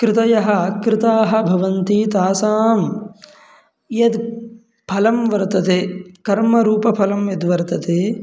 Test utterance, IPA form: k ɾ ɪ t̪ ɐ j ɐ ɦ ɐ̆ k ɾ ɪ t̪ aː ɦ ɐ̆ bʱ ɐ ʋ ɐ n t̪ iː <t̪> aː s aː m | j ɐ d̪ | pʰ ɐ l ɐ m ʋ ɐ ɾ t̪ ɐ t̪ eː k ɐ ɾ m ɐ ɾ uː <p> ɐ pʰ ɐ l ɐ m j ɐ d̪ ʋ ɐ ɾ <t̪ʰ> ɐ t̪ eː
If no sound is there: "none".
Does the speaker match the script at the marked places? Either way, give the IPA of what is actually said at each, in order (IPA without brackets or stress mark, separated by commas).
t̪, p, t̪